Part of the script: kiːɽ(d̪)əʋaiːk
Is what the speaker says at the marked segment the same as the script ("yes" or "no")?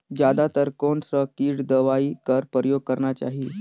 yes